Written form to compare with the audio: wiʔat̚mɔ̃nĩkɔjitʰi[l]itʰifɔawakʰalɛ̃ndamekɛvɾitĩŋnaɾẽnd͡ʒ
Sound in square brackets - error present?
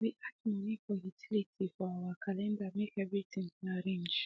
no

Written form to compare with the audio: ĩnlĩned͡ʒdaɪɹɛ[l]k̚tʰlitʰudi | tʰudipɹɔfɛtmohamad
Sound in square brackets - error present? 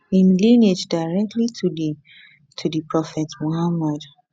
yes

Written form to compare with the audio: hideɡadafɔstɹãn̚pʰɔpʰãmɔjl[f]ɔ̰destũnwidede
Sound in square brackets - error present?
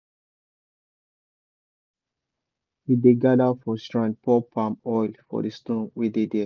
no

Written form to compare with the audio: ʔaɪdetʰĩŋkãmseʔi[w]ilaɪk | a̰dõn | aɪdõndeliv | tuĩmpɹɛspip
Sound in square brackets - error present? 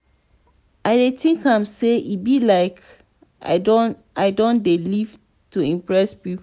yes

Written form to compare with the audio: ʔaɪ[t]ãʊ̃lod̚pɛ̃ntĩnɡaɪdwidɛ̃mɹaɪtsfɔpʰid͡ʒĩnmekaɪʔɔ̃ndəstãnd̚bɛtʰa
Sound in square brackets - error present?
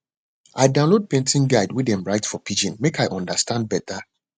yes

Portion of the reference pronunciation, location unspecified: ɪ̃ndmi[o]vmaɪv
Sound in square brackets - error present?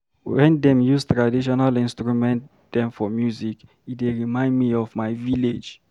yes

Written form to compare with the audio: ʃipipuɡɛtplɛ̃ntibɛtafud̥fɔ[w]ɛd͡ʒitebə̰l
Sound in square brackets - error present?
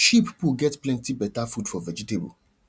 yes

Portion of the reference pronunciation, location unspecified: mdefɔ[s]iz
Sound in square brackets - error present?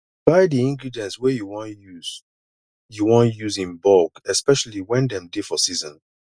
no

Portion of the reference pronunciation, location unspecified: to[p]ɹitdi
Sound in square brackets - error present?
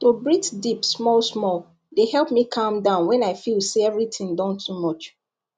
yes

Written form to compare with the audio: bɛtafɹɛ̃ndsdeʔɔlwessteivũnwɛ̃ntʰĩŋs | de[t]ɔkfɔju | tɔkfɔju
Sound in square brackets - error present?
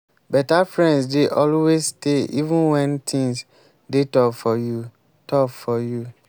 no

